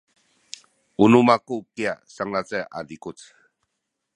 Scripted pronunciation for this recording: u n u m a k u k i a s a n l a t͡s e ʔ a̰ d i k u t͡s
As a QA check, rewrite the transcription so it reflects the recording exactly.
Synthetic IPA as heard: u n u m a k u k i a s a ŋ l a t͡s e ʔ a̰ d i k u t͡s